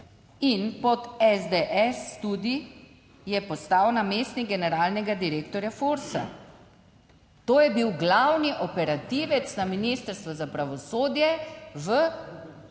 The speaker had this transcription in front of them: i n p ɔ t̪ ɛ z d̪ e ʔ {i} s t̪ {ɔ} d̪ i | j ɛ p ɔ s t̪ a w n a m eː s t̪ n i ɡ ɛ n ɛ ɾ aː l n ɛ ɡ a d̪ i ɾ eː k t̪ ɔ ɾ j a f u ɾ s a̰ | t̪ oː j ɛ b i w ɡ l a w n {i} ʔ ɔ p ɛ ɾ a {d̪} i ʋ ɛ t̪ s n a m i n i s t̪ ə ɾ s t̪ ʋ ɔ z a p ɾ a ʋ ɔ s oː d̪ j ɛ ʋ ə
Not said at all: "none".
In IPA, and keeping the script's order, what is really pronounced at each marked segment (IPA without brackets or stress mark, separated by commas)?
ɛ, u, i, t̪